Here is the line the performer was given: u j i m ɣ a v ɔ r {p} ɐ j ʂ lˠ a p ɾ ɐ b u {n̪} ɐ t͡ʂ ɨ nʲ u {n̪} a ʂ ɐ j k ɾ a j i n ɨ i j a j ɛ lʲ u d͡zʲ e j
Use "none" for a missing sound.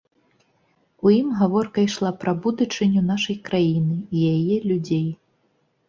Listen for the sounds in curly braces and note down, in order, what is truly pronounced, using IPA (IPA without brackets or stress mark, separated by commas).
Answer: k, d̪, n̪